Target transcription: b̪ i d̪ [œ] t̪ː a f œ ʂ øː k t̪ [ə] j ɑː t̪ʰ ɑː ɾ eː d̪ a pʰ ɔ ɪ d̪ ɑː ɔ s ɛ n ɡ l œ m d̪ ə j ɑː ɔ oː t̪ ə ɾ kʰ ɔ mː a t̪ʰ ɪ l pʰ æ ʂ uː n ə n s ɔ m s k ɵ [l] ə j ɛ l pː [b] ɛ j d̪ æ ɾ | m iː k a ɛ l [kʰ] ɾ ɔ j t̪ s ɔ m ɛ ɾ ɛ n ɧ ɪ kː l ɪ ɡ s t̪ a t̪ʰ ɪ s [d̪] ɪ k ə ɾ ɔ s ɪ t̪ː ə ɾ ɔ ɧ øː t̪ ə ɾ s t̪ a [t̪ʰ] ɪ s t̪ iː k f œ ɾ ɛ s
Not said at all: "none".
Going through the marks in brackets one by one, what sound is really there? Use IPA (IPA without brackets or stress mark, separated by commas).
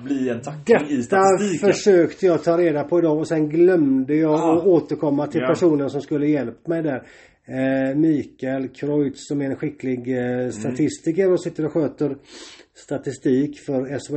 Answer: ɛ, ə, lː, m, kʰ, t̪, t̪